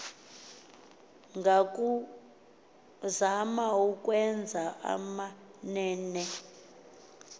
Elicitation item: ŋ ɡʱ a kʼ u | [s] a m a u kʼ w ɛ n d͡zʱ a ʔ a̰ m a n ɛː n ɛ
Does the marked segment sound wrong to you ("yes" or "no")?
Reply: yes